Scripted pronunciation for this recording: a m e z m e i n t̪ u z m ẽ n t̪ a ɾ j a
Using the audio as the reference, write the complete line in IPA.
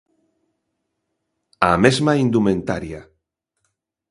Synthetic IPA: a m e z m a i n d̪ u m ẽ n t̪ a ɾ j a